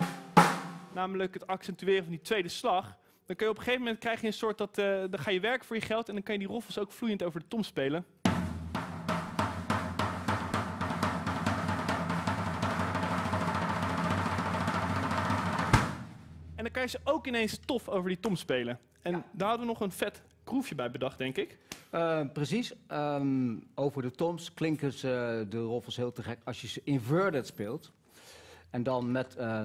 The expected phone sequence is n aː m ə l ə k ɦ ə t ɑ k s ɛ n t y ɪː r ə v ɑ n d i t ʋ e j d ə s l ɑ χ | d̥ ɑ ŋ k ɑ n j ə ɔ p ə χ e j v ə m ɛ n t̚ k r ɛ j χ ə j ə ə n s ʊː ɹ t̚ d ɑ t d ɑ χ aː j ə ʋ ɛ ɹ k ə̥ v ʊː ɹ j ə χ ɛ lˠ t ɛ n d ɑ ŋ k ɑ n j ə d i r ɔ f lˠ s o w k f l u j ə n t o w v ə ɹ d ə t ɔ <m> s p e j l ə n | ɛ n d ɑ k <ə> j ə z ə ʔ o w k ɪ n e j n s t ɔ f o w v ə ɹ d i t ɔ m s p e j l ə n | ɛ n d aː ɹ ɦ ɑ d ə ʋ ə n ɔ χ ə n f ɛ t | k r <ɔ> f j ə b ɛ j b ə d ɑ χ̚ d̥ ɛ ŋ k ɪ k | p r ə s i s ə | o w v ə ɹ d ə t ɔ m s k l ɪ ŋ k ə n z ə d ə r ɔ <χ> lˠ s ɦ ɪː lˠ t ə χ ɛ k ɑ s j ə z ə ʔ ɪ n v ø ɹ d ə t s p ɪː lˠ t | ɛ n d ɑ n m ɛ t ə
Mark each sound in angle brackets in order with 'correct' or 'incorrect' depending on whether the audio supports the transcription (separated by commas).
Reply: correct, incorrect, incorrect, incorrect